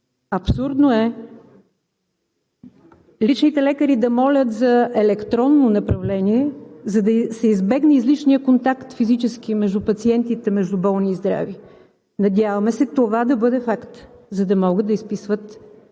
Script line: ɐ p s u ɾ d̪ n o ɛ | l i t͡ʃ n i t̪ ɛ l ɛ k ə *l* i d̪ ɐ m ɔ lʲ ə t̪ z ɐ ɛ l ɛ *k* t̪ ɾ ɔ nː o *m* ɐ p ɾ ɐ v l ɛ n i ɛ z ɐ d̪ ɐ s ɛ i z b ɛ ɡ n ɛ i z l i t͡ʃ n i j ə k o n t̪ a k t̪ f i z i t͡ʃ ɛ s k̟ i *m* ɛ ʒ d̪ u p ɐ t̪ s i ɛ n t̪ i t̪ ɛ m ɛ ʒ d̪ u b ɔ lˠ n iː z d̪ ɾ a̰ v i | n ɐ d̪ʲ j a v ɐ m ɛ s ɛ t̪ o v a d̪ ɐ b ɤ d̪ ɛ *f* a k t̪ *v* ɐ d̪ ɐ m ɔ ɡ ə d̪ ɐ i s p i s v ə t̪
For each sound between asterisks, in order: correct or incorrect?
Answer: incorrect: ɾ, correct, incorrect: n, correct, correct, incorrect: z

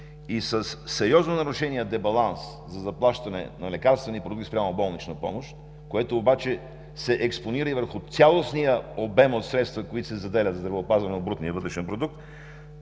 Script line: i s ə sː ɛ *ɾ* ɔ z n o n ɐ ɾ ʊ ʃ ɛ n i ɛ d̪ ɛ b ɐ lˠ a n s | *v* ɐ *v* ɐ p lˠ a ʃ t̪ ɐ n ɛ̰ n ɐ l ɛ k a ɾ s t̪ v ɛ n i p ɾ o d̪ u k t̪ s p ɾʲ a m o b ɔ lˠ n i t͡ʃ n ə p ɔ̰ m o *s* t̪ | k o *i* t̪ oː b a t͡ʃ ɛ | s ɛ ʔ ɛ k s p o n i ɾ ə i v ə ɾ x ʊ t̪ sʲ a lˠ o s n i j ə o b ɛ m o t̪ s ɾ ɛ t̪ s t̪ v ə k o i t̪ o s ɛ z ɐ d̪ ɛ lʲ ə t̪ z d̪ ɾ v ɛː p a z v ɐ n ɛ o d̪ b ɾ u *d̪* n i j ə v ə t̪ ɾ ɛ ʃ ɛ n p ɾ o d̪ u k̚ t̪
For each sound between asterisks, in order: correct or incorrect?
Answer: correct, incorrect: z, incorrect: z, incorrect: ʃ, incorrect: ɛ, incorrect: t̪

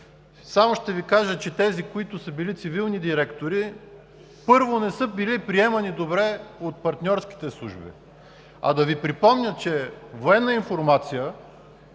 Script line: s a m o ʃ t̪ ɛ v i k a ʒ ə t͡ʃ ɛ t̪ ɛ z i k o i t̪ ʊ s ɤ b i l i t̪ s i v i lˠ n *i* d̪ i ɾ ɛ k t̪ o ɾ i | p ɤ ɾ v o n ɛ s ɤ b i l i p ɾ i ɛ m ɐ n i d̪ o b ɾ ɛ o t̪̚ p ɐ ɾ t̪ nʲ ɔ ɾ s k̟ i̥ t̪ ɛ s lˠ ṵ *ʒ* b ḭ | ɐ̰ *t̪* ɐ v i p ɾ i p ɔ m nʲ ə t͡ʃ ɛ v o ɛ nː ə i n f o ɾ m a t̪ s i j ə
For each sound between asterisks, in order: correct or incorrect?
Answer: correct, correct, incorrect: d̪

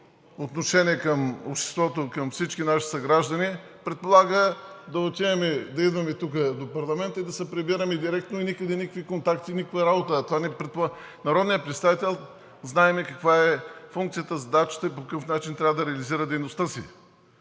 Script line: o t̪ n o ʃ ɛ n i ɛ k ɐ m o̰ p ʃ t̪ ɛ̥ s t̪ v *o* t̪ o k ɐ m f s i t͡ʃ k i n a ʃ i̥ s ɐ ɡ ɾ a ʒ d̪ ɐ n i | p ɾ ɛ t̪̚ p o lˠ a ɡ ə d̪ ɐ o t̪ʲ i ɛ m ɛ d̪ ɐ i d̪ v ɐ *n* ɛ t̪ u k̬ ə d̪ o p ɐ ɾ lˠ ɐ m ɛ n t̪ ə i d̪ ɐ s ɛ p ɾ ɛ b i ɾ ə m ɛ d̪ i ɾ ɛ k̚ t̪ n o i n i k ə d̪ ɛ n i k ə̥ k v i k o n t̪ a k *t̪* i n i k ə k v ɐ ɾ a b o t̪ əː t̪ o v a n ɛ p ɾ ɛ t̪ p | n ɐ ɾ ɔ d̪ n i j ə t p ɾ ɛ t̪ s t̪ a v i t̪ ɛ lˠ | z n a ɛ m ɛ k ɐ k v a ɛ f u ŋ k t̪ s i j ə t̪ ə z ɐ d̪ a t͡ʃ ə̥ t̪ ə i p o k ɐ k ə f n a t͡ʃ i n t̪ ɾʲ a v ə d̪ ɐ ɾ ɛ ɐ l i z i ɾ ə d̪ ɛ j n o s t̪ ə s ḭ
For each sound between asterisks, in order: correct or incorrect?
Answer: incorrect: ɔ, incorrect: m, correct

